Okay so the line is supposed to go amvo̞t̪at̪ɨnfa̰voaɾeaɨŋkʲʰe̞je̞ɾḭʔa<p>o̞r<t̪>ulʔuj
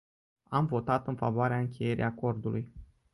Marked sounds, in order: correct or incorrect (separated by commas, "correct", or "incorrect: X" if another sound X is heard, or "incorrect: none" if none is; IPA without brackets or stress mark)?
incorrect: k, incorrect: d̪